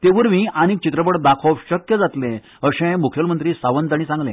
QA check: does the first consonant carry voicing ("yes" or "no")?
no